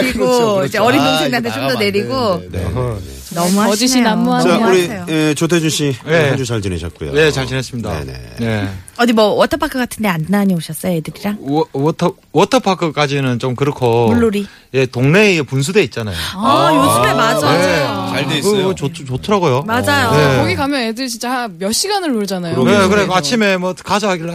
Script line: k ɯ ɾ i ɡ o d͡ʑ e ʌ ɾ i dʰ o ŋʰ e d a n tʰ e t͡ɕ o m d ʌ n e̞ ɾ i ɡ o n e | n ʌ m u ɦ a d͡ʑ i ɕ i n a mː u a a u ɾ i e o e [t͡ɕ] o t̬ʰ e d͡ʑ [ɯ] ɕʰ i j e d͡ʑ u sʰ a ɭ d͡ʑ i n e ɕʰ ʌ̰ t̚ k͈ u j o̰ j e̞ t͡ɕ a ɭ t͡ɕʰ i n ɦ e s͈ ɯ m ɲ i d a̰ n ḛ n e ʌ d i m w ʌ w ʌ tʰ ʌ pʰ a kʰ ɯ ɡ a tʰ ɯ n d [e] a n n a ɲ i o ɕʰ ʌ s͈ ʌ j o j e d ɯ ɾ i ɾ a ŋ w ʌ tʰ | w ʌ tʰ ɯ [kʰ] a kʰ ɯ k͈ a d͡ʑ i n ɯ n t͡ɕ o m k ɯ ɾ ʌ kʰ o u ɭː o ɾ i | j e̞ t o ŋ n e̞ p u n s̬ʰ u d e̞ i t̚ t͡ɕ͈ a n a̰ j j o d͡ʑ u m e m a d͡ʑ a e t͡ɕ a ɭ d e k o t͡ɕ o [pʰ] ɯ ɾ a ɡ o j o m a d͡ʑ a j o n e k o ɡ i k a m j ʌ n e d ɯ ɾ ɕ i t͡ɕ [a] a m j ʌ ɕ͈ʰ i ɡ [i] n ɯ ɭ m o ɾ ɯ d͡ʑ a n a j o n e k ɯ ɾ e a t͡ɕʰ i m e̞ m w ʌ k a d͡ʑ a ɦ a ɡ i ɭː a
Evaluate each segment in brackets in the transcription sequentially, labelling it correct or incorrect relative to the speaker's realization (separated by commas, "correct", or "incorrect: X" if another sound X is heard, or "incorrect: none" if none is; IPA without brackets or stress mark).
correct, incorrect: u, correct, incorrect: pʰ, incorrect: tʰ, correct, incorrect: a